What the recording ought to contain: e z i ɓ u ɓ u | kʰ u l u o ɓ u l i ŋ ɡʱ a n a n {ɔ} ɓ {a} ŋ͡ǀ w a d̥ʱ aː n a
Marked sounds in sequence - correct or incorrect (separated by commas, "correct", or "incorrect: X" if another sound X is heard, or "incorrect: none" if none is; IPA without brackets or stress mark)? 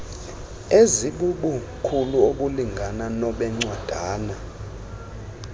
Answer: correct, incorrect: ɛ